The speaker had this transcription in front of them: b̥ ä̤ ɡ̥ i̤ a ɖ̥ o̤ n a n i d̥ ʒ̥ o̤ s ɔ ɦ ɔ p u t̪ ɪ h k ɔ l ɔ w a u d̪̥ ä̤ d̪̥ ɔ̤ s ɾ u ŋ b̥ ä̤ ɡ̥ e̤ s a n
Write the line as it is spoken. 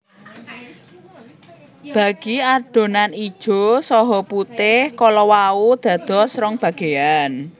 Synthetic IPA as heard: b̥ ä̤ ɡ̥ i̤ a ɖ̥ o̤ n a n i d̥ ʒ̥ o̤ s ɔ ɦ ɔ p u t̪ ɪ h k ɔ l ɔ w a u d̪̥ ä̤ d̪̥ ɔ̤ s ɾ ɔ ŋ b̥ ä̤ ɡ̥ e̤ a n